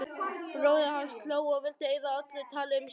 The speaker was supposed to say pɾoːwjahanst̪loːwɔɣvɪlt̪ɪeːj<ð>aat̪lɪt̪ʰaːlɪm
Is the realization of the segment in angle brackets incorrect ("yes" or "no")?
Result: no